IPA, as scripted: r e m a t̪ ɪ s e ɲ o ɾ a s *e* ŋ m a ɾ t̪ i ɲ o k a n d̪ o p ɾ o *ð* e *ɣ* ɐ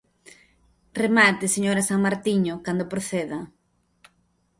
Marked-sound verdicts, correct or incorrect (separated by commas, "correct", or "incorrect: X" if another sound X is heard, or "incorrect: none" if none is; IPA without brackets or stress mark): incorrect: a, incorrect: θ, incorrect: ð